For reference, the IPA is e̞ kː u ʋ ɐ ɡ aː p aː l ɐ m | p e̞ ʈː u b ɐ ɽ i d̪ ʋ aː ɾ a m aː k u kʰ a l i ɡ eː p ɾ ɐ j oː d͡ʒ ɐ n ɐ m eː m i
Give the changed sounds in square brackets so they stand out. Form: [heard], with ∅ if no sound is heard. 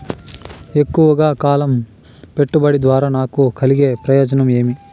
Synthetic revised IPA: e̞ kː u ʋ ɐ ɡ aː [k] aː l ɐ m | p e̞ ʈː u b ɐ ɽ i d̪ ʋ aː ɾ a [n] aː k u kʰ [ɐ] l i ɡ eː p ɾ ɐ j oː d͡ʒ ɐ n ɐ m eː m i